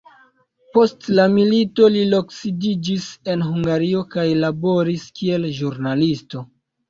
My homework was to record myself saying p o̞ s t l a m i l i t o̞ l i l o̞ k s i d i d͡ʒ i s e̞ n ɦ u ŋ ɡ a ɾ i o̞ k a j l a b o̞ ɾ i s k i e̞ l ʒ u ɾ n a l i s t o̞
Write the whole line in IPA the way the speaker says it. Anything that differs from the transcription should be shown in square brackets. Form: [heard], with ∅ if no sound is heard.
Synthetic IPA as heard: p o̞ s t l a m i l i t o̞ l i l o̞ k s i d i d͡ʒ i s e̞ n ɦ u ŋ ɡ a ɾ i o̞ k a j l a b o̞ ɾ i s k i e̞ l ʒ u ɾ n a l i s t o̞